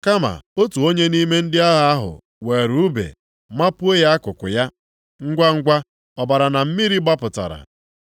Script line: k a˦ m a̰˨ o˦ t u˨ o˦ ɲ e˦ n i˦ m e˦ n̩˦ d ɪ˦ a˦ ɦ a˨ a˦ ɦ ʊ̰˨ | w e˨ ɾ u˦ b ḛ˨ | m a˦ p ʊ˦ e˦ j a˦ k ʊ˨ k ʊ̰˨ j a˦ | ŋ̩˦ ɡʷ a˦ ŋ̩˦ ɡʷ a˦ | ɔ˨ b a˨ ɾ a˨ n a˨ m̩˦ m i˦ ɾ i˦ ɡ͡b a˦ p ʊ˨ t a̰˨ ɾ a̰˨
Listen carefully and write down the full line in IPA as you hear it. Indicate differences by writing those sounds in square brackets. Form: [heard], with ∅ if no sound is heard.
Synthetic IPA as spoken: k a˦ m a̰˨ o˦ t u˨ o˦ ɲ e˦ n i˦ m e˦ n̩˦ d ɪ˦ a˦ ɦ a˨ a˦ ɦ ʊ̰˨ | w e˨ ɾ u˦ b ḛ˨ | m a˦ p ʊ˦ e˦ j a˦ k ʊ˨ k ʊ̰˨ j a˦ | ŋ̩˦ ɡʷ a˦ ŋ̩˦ ɡʷ a˦ | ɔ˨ b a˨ ɾ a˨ n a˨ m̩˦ m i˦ ɾ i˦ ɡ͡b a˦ p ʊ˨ t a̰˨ ɾ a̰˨